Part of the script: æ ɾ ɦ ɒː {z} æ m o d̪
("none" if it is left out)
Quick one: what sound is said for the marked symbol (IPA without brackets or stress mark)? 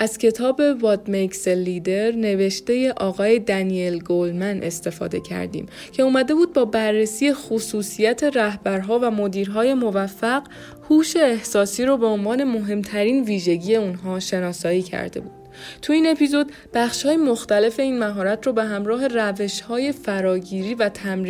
v